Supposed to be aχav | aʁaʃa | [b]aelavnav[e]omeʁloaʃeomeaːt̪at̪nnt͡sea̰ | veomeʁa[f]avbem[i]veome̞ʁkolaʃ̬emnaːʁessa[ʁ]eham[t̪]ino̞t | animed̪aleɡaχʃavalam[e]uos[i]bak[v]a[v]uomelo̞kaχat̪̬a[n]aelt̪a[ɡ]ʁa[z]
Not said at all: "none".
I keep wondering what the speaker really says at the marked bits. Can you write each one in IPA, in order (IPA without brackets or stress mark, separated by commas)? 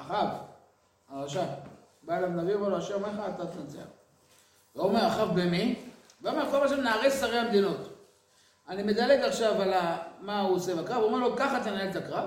b, i, χ, i, ʁ, d̪, a, e, ʁ, v, n, k, v